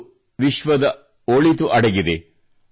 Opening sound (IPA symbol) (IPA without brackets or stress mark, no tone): ʋ